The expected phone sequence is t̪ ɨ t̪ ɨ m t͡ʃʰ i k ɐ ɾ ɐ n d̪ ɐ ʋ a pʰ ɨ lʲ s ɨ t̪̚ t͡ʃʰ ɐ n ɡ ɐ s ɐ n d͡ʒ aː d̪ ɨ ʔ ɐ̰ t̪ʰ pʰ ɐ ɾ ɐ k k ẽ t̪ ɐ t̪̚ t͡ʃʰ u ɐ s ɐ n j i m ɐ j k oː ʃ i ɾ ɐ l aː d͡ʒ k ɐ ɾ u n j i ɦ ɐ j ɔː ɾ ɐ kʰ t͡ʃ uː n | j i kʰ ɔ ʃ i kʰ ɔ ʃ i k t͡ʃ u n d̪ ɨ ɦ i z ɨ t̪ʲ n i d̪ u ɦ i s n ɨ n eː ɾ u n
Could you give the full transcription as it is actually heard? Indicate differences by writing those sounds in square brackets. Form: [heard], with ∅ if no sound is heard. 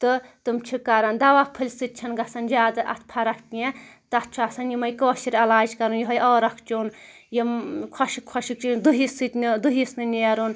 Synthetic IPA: t̪ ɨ t̪ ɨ m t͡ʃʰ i k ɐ ɾ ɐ n d̪ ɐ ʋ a pʰ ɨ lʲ s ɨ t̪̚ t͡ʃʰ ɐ n ɡ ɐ s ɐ n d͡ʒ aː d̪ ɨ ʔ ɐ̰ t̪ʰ pʰ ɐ ɾ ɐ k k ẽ t̪ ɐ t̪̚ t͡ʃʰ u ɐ s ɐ n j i m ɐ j k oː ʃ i ɾ ɐ l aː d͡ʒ k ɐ ɾ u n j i ɦ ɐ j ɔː ɾ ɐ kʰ t͡ʃ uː n | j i kʰ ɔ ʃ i kʰ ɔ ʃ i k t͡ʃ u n d̪ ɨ ɦ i [s] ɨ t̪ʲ n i d̪ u ɦ i s n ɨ n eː ɾ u n